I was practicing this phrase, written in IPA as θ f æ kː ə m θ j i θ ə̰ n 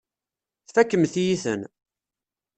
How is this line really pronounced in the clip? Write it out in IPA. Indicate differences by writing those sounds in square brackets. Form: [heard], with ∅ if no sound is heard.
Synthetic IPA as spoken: θ f æ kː ə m θ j i θ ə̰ n